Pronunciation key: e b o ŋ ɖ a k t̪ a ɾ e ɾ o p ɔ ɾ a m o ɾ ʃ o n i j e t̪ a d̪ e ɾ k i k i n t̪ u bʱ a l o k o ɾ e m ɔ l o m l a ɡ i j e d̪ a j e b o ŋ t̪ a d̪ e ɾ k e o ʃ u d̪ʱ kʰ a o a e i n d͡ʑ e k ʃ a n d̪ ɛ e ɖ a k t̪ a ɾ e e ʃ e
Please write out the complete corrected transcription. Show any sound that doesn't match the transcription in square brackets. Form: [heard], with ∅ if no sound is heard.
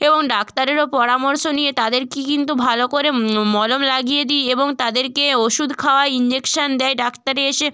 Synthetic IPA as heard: e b o ŋ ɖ a k t̪ a ɾ e ɾ o p ɔ ɾ a m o ɾ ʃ o n i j e t̪ a d̪ e ɾ k i k i n t̪ u bʱ a l o k o ɾ e m ɔ l o m l a ɡ i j e d̪ [i] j e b o ŋ t̪ a d̪ e ɾ k e o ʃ u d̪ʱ kʰ a o a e i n d͡ʑ e k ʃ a n d̪ ɛ e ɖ a k t̪ a ɾ e e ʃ e